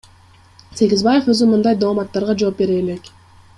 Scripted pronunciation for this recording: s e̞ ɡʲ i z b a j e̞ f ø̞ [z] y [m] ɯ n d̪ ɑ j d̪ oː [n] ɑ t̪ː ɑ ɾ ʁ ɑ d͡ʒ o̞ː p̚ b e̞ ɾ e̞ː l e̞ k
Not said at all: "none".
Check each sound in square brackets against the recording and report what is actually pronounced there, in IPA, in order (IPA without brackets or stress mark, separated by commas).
z, m, m